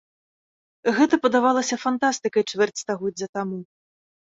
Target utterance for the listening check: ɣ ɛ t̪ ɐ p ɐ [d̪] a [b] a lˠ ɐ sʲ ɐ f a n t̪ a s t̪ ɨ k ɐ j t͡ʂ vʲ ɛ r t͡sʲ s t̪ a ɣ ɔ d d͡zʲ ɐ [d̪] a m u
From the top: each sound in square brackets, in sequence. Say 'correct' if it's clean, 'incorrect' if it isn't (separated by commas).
correct, incorrect, incorrect